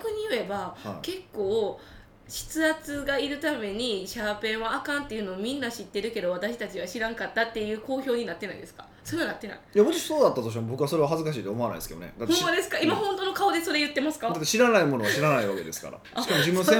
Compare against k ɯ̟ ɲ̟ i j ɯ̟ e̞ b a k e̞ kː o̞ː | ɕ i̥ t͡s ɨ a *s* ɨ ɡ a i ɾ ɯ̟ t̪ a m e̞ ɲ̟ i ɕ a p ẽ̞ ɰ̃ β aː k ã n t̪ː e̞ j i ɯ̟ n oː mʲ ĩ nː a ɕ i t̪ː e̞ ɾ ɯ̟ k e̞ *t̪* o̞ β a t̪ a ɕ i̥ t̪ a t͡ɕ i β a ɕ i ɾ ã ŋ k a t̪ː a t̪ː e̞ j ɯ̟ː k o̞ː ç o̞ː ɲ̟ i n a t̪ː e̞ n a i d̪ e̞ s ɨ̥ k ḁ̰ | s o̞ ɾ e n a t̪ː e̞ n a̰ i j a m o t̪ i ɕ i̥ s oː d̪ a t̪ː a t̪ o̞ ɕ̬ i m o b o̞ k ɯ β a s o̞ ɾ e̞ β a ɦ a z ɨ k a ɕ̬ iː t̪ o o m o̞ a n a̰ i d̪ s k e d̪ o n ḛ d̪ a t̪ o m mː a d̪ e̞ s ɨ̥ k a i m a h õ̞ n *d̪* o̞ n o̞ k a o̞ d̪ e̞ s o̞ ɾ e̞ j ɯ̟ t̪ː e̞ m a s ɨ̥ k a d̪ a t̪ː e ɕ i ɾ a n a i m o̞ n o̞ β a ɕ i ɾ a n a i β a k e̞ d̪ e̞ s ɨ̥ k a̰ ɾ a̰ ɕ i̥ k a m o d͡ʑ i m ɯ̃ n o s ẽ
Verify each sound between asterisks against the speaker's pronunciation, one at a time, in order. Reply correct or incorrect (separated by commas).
incorrect, incorrect, incorrect